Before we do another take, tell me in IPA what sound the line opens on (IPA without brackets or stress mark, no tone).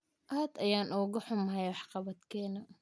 ʔ